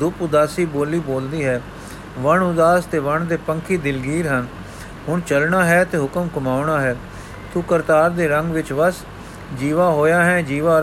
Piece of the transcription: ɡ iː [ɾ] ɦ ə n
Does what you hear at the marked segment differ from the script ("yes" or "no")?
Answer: no